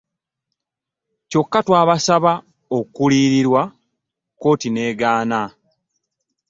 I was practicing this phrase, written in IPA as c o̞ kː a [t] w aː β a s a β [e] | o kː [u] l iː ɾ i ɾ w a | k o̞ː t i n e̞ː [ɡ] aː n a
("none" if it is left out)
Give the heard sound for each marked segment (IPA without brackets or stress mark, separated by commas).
t, a, u, ɡ